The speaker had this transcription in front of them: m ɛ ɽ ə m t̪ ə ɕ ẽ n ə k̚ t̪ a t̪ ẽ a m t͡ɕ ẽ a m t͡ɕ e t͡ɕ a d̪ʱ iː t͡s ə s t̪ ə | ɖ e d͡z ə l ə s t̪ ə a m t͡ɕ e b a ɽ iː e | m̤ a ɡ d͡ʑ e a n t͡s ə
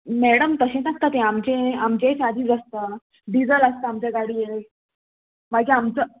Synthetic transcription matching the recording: m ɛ ɽ ə m t̪ ə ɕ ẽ n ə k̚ t̪ a t̪ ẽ a m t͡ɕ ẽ a m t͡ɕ e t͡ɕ a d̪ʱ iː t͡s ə s t̪ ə | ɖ i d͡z ə l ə s t̪ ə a m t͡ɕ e ɡ a ɽ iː e | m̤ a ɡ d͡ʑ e a m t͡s ə